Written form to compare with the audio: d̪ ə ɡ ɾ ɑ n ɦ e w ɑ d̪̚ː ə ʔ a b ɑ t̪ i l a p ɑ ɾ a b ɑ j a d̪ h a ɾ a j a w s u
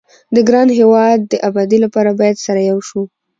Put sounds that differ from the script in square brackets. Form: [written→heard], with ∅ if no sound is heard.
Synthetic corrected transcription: d̪ ə ɡ ɾ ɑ n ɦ e w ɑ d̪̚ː ə ʔ a b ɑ [t̪→d̪] i l a p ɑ ɾ a b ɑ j a d̪ [h→s] a ɾ a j a w [s→ʃ] u